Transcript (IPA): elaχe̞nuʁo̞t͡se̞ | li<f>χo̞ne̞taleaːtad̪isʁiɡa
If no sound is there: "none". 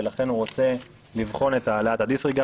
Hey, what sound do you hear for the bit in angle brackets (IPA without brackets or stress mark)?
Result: v